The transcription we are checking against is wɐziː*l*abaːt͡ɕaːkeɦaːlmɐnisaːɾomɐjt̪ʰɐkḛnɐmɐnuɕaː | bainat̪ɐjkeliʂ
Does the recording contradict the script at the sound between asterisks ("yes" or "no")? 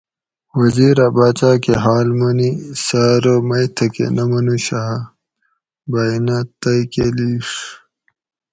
yes